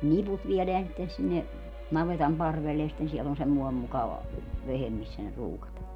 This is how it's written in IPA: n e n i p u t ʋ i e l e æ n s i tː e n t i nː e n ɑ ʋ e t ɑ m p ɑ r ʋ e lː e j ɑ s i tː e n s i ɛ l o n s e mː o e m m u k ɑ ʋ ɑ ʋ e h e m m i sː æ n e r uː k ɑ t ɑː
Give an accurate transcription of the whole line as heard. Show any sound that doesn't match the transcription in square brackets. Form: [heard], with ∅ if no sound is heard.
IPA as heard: n e n i p u t ʋ i e l e æ n s i tː e n [s] i nː e n ɑ ʋ e t ɑ m p ɑ r ʋ e lː e j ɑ s i tː e n s i ɛ l o n s e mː o e m m u k ɑ ʋ ɑ ʋ e h e m m i sː æ n e r uː k ɑ t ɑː